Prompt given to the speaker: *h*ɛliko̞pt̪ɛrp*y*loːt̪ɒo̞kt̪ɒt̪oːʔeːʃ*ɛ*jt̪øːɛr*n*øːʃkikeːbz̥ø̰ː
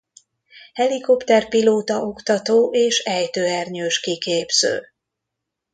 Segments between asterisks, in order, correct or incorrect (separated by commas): correct, incorrect, correct, incorrect